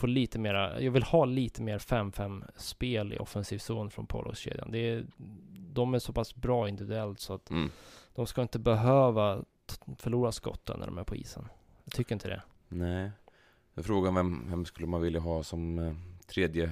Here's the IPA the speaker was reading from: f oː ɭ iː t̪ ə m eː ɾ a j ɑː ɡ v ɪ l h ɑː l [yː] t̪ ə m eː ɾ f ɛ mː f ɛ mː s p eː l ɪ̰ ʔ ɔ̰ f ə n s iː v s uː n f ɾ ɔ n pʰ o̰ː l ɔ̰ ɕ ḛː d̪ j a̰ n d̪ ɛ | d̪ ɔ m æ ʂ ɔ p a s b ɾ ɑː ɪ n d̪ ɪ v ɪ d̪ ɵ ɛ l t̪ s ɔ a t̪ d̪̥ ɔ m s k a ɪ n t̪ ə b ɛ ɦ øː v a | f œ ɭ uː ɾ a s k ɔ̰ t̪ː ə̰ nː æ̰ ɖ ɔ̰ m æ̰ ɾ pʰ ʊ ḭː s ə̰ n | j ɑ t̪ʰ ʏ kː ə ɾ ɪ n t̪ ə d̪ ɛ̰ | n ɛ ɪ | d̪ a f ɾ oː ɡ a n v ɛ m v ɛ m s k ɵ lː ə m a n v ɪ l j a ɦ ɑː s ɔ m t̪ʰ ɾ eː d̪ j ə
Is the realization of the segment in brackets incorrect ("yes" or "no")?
yes